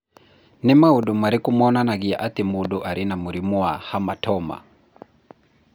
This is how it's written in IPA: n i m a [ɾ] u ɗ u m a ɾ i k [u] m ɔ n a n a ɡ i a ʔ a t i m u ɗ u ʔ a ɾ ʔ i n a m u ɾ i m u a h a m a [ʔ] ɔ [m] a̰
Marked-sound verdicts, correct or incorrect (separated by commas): incorrect, correct, incorrect, correct